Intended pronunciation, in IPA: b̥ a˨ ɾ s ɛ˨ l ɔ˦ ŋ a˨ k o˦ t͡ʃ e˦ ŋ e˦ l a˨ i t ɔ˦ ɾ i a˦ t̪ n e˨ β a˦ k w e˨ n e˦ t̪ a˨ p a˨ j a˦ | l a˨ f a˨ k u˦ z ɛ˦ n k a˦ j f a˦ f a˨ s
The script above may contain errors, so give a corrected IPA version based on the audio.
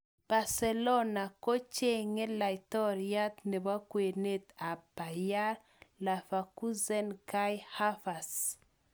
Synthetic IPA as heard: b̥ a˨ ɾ s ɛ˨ l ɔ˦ n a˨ k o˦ t͡ʃ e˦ ŋ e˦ l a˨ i t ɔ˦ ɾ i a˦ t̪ n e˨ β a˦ k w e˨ n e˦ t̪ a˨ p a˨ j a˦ | l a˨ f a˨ k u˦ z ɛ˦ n k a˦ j h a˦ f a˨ s

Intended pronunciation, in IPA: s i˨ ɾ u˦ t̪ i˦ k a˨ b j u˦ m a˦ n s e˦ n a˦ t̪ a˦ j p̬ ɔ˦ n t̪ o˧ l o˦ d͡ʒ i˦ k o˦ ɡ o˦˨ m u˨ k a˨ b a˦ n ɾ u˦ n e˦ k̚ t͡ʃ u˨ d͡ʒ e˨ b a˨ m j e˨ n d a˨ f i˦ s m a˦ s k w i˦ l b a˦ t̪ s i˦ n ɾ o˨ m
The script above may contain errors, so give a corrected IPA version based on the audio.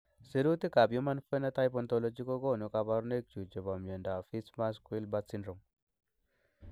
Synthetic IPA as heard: s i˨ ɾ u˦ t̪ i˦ k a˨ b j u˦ m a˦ n f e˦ n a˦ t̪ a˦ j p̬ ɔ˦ n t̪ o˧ l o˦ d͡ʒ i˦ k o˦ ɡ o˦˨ n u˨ k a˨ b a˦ ɾ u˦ n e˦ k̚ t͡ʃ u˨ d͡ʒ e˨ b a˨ m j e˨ n d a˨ f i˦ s m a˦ s k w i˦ l b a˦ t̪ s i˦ n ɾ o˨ m

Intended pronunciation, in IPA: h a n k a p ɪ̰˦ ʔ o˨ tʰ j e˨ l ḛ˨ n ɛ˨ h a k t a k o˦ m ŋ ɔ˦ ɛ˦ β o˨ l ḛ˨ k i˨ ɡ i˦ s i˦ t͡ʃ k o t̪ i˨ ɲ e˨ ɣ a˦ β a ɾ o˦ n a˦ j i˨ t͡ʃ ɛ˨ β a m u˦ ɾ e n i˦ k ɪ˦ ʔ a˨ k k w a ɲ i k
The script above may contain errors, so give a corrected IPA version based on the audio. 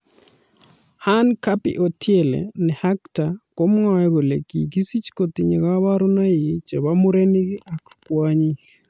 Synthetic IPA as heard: h a n k a p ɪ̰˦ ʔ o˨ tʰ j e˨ l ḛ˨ n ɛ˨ h a k t a k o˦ m ŋ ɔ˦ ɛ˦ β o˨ l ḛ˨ k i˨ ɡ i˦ s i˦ t͡ʃ k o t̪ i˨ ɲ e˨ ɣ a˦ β a ɾ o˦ n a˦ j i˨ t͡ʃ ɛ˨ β a m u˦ ɾ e n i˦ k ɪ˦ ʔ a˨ k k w a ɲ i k

